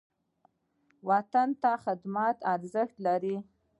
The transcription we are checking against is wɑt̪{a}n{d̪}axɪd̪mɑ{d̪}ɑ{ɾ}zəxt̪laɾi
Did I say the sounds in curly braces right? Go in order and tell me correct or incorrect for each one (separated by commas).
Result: correct, incorrect, incorrect, correct